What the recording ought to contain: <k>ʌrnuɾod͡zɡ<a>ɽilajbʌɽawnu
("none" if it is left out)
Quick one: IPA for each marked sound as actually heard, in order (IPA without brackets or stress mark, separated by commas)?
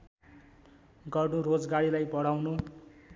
ɡ, a